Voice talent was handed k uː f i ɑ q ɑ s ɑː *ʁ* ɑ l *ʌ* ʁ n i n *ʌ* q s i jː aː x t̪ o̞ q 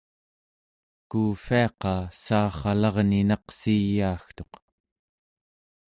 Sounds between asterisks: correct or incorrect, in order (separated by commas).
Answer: incorrect, incorrect, incorrect